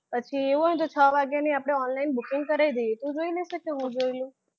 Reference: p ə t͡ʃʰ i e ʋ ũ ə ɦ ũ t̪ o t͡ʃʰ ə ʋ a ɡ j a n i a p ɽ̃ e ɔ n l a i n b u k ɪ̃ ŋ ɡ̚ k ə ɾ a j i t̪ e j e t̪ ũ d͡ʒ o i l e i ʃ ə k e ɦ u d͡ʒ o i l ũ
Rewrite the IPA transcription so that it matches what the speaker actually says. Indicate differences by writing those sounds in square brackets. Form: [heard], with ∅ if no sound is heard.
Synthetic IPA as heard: p ə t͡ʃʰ i e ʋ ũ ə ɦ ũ t̪ o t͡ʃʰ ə ʋ a ɡ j a n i a p ɽ̃ e ɔ n l a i n b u k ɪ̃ ŋ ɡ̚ k ə ɾ a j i [d̪] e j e t̪ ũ d͡ʒ o i l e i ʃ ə k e ɦ [ũ] d͡ʒ o i l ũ